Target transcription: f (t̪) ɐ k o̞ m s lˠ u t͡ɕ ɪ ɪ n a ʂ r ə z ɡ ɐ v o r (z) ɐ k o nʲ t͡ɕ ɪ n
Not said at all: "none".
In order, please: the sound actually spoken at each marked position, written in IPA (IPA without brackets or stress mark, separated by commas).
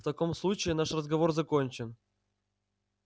t̪, z